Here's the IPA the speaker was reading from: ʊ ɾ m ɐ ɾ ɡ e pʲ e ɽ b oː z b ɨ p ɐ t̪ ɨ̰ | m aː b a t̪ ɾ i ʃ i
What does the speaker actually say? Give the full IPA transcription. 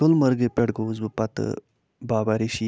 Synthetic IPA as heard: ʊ l m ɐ ɾ ɡ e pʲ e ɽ ɡ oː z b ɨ p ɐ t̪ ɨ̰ | b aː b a ɾ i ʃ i